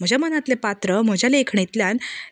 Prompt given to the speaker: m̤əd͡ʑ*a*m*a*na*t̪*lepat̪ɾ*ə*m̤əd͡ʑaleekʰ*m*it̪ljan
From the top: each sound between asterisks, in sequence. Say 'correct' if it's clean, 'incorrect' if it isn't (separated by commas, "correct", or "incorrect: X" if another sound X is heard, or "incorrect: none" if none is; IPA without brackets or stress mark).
correct, incorrect: ə, correct, correct, incorrect: ɳ